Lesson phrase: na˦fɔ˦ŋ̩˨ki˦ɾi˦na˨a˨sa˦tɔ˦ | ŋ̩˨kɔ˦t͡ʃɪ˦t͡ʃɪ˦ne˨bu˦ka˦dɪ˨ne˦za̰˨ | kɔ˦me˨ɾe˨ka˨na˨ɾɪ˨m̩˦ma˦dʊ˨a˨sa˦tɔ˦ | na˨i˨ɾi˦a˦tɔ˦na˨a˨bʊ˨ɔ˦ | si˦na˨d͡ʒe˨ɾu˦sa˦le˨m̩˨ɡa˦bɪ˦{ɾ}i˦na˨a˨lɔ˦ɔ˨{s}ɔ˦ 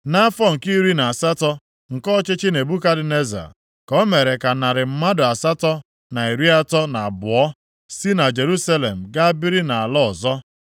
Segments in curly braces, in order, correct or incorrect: correct, incorrect

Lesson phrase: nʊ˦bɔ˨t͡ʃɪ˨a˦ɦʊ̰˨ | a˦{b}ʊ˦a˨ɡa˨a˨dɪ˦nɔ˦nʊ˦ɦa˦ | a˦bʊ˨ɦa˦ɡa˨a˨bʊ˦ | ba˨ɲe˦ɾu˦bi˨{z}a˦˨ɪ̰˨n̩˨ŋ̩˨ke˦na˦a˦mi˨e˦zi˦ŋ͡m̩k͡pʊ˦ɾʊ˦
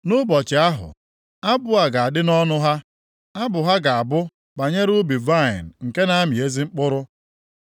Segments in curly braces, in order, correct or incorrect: correct, incorrect

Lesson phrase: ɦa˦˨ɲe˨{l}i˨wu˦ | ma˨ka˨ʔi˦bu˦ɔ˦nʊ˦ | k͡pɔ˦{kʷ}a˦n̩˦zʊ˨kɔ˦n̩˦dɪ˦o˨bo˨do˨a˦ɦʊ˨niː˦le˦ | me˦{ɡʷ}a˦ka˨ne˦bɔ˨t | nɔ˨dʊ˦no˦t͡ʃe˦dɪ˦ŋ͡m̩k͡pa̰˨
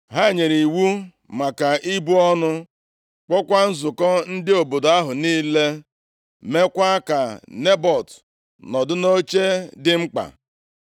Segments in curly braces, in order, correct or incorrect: incorrect, correct, incorrect

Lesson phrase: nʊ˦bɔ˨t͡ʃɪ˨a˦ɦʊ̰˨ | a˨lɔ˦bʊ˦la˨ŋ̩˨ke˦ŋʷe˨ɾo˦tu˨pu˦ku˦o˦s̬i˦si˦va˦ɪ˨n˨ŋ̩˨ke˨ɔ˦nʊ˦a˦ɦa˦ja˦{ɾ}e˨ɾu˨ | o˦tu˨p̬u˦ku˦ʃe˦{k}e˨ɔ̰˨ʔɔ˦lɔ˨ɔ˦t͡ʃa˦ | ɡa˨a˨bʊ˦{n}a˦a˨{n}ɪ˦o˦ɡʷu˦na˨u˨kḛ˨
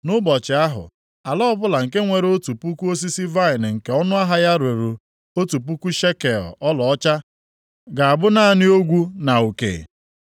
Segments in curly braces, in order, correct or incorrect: correct, correct, correct, correct

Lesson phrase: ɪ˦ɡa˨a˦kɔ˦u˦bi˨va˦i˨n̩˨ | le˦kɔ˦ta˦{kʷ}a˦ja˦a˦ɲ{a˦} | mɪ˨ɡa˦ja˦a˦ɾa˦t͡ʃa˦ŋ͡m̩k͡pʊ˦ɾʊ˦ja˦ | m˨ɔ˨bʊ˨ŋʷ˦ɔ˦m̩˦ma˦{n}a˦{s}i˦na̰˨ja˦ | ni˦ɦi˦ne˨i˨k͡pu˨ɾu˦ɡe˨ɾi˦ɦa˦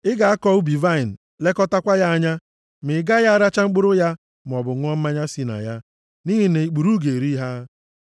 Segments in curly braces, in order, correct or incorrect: correct, correct, incorrect, correct

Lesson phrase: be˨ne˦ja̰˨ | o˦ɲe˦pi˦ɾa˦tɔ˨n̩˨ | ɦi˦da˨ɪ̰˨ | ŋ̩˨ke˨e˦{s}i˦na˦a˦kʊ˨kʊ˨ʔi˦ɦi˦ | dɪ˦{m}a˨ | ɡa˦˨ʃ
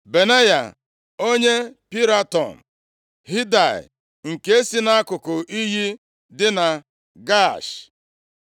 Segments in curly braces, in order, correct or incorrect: correct, incorrect

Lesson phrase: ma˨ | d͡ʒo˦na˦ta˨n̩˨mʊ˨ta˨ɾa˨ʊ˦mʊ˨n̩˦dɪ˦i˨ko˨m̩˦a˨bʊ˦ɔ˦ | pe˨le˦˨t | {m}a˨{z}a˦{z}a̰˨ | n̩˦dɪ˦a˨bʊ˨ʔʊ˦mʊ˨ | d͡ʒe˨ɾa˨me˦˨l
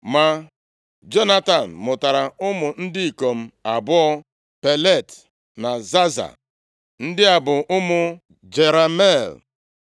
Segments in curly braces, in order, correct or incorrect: incorrect, correct, correct

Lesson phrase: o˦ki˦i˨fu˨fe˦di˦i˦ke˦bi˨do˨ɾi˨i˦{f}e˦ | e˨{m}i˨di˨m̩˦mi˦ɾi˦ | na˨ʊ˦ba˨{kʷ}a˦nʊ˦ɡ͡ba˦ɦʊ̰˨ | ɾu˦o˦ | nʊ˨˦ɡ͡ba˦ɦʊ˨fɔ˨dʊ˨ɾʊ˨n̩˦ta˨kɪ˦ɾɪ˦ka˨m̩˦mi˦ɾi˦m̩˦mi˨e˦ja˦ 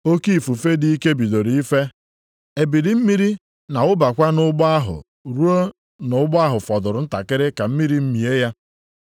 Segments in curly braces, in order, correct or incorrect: correct, incorrect, correct

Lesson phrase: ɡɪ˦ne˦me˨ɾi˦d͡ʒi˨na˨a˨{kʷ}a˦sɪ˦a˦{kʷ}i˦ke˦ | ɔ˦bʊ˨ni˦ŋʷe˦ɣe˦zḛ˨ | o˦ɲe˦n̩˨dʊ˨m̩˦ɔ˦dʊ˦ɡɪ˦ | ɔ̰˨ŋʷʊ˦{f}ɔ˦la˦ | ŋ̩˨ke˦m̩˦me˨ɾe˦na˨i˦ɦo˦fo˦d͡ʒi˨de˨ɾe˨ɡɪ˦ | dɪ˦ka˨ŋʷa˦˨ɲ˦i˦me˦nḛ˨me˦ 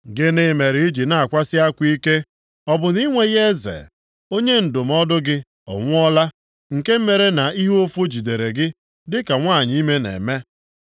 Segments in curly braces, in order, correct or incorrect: correct, correct, incorrect

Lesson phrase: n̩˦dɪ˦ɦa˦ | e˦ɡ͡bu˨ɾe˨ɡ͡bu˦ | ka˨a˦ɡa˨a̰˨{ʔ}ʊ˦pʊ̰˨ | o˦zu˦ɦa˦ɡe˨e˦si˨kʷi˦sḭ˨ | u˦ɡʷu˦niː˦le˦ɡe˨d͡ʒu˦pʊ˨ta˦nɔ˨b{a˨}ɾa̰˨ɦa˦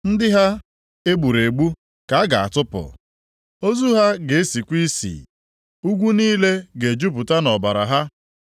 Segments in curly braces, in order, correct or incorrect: incorrect, correct

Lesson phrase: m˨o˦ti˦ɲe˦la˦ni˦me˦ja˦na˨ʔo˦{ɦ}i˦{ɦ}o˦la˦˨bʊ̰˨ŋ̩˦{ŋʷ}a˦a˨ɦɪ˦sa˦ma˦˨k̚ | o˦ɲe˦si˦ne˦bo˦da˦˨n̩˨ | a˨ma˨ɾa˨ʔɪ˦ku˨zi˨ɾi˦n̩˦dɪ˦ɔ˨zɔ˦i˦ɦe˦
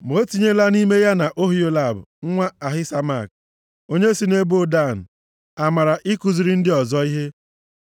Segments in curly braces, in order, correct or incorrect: correct, incorrect, correct

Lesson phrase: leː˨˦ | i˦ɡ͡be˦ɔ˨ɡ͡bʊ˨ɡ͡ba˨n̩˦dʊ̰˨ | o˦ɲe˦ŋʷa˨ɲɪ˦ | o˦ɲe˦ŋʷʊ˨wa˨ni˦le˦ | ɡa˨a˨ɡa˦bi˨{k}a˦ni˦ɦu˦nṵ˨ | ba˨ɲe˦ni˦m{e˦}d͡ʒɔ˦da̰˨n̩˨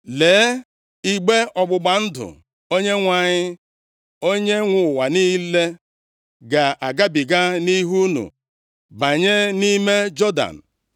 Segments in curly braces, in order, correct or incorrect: incorrect, correct

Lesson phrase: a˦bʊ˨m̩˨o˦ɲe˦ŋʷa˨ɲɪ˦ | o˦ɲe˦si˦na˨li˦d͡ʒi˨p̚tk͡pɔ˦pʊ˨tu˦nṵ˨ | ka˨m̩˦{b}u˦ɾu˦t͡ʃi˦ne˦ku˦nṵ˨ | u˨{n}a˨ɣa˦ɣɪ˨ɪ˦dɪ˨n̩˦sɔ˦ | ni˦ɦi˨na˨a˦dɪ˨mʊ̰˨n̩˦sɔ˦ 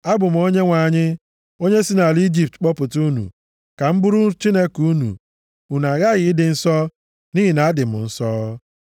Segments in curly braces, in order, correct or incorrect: correct, correct

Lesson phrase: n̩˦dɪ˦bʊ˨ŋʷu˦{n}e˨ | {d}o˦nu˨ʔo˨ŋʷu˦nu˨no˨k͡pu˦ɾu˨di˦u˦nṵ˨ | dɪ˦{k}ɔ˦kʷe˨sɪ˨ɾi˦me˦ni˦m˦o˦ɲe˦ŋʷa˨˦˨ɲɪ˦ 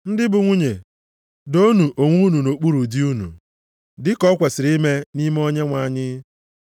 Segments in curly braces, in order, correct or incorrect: incorrect, correct, correct

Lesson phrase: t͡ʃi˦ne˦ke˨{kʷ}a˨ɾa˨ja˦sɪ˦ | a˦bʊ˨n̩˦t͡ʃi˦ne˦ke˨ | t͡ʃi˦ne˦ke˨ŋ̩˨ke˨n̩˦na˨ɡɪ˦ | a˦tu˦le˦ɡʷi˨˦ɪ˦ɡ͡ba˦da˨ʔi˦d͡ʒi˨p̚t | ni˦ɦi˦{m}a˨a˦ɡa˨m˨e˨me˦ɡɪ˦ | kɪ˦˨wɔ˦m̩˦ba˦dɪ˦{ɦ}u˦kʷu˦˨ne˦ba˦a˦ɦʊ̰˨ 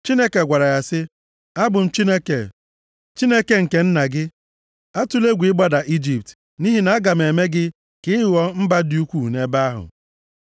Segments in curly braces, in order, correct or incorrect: incorrect, incorrect, incorrect

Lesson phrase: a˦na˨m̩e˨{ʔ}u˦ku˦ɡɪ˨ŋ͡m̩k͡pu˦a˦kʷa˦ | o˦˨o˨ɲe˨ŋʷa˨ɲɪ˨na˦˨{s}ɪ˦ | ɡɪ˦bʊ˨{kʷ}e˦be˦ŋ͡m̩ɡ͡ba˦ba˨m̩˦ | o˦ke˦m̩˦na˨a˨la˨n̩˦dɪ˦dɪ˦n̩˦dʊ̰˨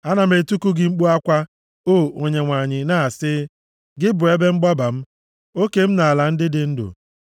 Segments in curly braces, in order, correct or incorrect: incorrect, correct, incorrect

